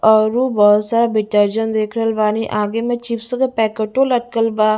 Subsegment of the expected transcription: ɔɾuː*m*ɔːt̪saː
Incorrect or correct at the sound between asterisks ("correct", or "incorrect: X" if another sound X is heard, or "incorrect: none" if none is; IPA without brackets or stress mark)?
incorrect: b